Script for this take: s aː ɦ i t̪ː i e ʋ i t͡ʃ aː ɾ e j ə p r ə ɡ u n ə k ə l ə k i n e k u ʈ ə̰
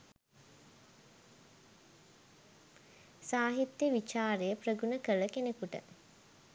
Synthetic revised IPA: s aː ɦ i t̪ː j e ʋ i t͡ʃ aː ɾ e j ə p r ə ɡ u n ə k ə l ə k e n e k u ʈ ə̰